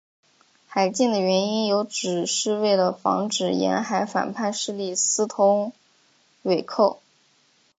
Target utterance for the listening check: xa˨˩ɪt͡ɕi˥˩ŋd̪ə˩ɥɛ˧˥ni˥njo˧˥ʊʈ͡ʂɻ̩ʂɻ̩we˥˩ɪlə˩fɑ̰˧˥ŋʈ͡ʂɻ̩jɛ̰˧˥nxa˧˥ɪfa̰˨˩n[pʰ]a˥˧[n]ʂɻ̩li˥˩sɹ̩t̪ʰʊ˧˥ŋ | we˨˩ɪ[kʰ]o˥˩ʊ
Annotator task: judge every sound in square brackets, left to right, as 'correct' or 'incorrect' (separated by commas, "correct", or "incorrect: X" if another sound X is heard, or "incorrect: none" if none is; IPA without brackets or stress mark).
correct, correct, correct